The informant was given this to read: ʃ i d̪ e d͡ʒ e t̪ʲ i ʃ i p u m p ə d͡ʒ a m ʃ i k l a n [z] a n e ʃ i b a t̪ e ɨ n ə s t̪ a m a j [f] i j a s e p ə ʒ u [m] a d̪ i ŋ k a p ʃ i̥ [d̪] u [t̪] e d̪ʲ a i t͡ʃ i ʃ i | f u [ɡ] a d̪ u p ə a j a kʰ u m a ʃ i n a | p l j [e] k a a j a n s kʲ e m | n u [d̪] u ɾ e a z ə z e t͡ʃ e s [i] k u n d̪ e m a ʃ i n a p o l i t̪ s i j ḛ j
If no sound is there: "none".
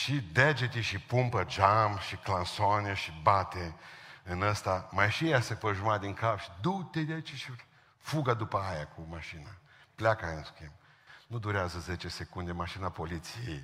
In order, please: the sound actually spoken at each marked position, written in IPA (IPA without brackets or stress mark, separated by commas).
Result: s, ʃ, m, d̪, t̪, ɡ, a, d̪, e